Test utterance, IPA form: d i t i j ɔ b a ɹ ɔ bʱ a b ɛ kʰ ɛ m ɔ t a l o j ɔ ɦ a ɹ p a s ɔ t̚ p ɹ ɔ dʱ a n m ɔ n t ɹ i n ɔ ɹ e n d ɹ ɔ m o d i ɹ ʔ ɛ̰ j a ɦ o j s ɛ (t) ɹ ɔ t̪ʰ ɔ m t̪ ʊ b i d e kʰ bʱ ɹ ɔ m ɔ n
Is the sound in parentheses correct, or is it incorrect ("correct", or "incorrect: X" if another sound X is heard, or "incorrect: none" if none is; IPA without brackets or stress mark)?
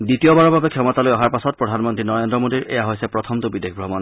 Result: incorrect: p